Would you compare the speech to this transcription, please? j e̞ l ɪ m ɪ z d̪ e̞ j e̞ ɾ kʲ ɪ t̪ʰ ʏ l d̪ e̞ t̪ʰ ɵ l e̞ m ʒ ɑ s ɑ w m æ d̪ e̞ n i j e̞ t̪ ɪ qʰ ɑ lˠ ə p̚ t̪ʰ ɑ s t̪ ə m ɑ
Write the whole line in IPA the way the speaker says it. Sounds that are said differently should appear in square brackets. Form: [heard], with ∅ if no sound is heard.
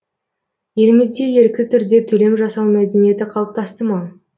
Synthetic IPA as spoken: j e̞ l ɪ m ɪ z d̪ e̞ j e̞ ɾ kʲ ɪ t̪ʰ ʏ [ɾ] d̪ e̞ t̪ʰ ɵ l e̞ m ʒ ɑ s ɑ w m æ d̪ e̞ n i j e̞ t̪ ɪ qʰ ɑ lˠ ə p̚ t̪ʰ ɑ s t̪ ə m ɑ